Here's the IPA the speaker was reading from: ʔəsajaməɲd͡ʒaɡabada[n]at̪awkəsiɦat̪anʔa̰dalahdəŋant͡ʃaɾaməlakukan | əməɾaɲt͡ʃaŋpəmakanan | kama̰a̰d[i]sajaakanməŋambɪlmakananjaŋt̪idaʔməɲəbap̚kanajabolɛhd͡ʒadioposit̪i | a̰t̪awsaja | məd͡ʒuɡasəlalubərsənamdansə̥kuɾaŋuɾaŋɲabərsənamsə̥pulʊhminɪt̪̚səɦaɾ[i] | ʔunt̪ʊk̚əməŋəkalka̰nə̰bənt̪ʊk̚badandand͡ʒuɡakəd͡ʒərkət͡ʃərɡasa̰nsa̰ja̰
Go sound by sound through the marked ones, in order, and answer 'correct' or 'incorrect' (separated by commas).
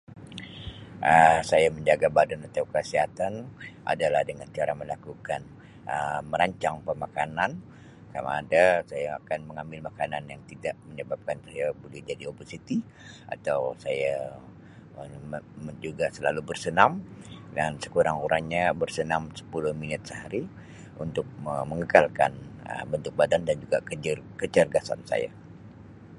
correct, incorrect, correct